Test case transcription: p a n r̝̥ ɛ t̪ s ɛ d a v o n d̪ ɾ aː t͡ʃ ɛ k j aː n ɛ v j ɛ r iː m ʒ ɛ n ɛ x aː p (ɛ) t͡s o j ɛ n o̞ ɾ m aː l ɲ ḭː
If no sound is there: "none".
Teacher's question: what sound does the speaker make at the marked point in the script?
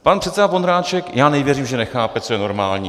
ɛ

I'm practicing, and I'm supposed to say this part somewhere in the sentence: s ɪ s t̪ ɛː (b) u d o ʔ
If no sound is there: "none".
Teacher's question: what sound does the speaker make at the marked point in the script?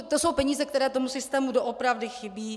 m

